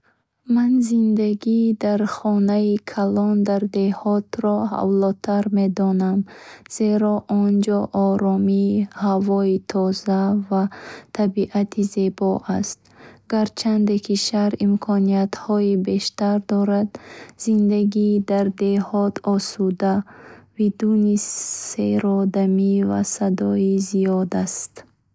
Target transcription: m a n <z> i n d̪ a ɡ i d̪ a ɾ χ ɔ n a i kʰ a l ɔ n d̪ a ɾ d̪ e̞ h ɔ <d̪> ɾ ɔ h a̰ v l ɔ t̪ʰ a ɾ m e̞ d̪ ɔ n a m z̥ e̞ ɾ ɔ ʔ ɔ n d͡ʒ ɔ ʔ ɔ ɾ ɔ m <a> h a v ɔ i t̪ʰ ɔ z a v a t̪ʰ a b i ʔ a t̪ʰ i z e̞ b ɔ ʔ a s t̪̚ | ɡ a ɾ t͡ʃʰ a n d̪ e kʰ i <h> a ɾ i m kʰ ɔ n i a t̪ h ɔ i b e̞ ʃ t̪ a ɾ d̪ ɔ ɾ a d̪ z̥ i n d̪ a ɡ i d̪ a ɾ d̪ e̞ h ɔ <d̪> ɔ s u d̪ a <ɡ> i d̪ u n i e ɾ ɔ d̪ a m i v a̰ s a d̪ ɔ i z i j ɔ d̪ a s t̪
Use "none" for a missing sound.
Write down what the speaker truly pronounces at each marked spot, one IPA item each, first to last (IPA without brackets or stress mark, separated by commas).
z, t̪, i, ʃ, t̪, b